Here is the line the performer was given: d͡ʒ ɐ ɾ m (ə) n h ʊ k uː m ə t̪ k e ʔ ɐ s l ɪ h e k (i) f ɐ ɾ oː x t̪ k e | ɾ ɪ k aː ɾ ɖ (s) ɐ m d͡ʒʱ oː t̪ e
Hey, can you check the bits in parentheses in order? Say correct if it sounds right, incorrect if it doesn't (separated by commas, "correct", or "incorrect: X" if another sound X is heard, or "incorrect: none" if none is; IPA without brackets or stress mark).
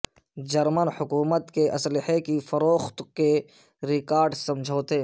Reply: correct, correct, correct